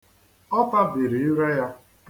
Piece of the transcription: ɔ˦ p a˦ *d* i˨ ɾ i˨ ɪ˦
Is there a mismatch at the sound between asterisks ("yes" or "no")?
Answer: yes